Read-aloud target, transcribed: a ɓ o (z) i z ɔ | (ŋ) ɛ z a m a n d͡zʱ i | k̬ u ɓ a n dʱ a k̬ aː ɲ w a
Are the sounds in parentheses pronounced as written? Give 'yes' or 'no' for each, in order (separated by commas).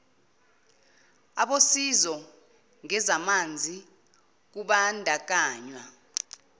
no, yes